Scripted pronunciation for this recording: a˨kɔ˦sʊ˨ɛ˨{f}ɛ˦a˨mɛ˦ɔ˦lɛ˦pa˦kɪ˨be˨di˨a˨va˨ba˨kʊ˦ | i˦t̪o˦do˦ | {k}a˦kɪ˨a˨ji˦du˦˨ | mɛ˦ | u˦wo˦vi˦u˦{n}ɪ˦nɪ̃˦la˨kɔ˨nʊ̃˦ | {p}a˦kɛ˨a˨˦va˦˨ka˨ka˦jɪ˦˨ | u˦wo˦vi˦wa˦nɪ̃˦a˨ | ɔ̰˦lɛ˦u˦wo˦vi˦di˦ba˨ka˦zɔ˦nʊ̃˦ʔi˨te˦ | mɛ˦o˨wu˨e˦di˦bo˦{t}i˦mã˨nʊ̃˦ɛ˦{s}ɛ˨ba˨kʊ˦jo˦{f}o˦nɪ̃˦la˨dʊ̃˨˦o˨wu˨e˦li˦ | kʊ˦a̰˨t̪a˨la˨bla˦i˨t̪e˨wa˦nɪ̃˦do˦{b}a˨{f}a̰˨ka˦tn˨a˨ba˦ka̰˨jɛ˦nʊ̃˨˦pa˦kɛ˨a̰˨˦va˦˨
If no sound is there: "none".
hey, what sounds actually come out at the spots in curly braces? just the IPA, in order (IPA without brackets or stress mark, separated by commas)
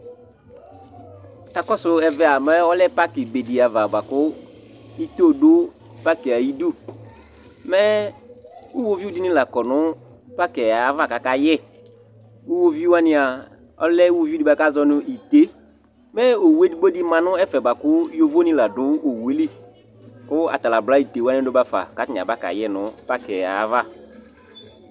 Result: v, p, d, p, d, f, v, b, f